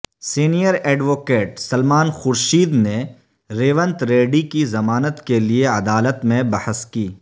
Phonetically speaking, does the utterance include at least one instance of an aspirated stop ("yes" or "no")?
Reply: no